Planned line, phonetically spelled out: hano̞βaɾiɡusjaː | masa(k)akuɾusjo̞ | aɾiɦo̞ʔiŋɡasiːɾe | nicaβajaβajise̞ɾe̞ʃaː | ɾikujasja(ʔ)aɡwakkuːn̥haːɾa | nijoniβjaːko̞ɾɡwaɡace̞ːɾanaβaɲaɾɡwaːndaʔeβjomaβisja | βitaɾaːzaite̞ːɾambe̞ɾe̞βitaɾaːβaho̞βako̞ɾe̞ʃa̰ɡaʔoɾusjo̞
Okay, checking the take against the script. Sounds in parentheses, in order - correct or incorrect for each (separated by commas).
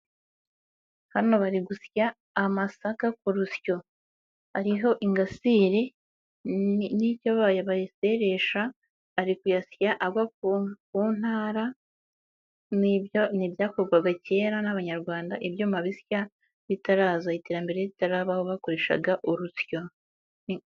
correct, correct